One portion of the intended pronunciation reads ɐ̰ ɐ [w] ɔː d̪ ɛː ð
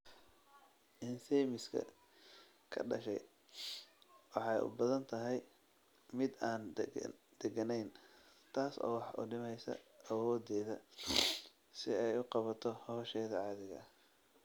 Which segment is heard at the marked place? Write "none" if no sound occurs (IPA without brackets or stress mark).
w